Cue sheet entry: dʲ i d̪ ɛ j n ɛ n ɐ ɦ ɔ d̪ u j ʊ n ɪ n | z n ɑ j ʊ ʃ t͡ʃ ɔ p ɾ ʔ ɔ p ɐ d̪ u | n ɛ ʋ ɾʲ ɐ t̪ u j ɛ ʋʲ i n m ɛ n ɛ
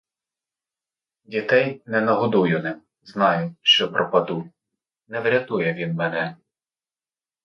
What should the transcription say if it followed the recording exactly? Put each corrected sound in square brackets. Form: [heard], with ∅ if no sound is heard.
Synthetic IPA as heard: dʲ i [t̪] ɛ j n ɛ n ɐ ɦ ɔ d̪ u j ʊ n ɪ [m] | z n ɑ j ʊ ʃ t͡ʃ ɔ p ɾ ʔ ɔ p ɐ d̪ u | n ɛ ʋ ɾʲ ɐ t̪ u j ɛ ʋʲ i n m ɛ n ɛ